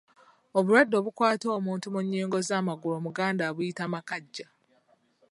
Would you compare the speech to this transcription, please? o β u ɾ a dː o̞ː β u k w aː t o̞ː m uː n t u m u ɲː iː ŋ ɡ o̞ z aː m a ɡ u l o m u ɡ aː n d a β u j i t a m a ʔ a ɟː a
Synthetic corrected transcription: o β u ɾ a dː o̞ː β u k w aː t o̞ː m uː n t u m u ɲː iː ŋ ɡ o̞ z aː m a ɡ u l o m u ɡ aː n d a β u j i t a m a k a ɟː a